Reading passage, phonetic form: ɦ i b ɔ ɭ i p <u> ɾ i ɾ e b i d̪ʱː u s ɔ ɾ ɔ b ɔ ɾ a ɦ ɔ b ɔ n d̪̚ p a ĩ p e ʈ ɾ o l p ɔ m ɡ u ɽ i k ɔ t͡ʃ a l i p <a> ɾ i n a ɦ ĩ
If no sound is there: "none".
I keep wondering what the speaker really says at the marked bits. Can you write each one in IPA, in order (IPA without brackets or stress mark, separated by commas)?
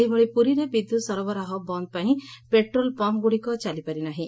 u, a